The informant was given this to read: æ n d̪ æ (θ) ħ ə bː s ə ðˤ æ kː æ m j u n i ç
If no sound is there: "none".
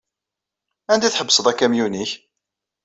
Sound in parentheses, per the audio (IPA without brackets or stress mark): θ